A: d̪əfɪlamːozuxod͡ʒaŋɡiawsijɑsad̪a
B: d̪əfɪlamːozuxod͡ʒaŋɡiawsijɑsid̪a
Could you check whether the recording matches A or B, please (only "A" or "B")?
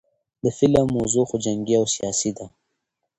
B